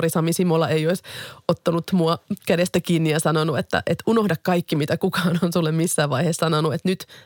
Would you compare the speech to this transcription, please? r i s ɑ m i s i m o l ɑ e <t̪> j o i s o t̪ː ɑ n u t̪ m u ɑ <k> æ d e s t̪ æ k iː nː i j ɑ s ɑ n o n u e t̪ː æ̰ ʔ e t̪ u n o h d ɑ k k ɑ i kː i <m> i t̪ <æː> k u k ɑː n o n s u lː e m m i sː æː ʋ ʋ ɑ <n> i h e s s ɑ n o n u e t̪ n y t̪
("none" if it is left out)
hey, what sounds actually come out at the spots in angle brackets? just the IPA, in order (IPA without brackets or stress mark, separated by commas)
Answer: none, k, m, æ, none